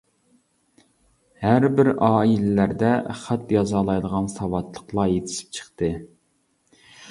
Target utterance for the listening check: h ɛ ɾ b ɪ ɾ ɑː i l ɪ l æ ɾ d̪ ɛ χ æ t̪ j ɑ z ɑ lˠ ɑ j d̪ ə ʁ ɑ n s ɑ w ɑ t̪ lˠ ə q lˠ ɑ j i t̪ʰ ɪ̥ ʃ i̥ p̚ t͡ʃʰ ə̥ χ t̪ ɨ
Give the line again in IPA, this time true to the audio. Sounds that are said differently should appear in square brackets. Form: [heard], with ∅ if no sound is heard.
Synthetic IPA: h [æ] ɾ b ɪ ɾ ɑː i l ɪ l æ ɾ d̪ ɛ χ æ t̪ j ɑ z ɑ lˠ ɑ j d̪ ə ʁ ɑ n s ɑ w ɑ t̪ lˠ ə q lˠ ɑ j [e] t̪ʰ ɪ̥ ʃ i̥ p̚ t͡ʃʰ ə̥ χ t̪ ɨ